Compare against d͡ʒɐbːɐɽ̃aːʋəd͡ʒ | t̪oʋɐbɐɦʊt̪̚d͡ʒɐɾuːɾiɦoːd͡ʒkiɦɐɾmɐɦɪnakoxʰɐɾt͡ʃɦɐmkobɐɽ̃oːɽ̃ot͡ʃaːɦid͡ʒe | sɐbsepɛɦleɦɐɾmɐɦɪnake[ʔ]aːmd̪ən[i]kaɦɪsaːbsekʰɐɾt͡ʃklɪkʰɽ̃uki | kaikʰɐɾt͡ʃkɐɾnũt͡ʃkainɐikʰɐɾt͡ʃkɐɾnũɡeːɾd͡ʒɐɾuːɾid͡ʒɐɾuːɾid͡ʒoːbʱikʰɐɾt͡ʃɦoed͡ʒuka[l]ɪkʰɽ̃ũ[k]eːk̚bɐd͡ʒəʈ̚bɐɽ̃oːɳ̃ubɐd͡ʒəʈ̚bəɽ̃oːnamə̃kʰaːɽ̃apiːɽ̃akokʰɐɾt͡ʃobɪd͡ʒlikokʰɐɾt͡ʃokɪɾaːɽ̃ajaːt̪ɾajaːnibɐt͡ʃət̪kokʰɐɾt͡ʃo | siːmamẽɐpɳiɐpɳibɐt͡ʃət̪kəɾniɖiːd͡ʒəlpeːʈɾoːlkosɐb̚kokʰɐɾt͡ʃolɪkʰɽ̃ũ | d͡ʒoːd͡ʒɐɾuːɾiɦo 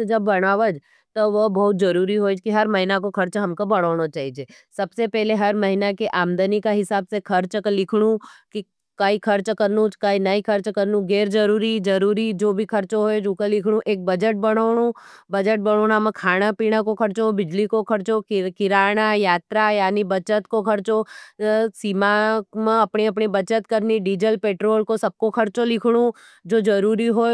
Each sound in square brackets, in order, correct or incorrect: correct, correct, correct, incorrect: ʔ

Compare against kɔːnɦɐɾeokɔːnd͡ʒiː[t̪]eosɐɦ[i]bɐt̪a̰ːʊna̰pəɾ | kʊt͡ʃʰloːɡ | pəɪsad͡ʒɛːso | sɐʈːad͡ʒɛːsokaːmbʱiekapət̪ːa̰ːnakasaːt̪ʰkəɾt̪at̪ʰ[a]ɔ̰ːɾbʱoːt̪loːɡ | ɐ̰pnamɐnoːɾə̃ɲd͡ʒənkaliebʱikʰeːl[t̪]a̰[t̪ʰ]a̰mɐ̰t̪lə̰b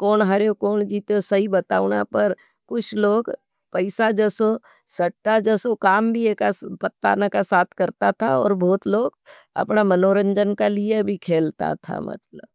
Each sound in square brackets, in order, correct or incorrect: correct, correct, correct, correct, correct

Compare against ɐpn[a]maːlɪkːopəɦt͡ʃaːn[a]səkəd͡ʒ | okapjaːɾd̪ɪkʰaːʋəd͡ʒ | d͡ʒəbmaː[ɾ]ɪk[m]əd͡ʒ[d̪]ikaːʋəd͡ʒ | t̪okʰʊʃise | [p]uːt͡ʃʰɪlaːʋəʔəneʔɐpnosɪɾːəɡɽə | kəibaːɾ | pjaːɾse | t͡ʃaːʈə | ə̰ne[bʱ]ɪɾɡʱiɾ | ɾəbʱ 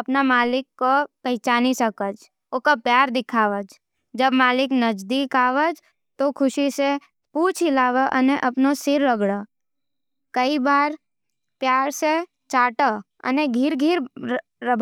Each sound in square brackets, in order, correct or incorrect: correct, incorrect: i, incorrect: l, incorrect: n, correct, correct, incorrect: ɡʱ

